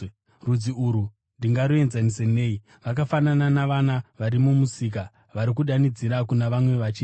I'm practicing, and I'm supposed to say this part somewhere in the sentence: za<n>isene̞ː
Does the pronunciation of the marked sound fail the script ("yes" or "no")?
no